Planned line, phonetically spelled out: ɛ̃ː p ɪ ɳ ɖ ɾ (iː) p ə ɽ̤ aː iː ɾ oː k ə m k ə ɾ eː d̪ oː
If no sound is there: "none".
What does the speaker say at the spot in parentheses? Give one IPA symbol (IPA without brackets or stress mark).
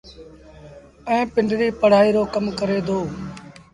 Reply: iː